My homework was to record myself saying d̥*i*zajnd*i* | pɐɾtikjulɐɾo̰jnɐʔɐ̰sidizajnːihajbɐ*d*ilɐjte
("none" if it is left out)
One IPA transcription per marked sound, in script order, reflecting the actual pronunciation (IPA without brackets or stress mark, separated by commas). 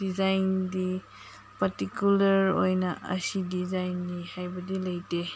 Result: i, i, d